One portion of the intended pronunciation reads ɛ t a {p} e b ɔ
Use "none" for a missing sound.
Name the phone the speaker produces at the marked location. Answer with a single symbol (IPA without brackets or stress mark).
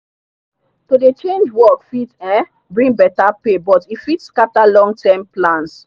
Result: p